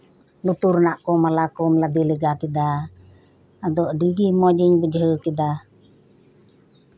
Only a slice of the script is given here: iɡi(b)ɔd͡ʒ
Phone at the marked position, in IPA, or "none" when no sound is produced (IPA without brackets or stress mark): m